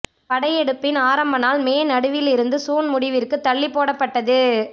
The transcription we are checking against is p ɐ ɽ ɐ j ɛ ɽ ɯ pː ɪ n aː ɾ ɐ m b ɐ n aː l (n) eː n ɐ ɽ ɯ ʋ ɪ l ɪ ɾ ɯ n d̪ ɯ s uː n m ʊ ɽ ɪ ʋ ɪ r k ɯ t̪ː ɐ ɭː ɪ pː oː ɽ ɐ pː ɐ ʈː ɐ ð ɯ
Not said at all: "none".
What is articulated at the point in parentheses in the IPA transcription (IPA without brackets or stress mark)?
m